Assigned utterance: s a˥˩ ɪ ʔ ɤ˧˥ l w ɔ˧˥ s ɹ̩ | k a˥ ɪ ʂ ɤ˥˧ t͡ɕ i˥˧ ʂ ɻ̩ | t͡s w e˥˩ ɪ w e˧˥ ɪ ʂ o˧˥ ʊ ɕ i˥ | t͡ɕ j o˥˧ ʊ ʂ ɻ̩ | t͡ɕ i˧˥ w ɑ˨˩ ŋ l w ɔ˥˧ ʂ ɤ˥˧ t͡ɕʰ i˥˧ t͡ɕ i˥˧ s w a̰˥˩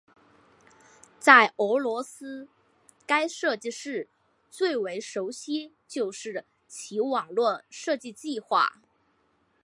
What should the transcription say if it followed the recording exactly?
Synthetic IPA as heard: t͡s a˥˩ ɪ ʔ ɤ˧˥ l w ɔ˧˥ s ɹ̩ | k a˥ ɪ ʂ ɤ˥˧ t͡ɕ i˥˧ ʂ ɻ̩ | t͡s w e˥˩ ɪ w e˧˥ ɪ ʂ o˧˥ ʊ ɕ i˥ | t͡ɕ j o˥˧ ʊ ʂ ɻ̩ | t͡ɕʰ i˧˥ w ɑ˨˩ ŋ l w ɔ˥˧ ʂ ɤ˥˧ t͡ɕ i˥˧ t͡ɕ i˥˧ x w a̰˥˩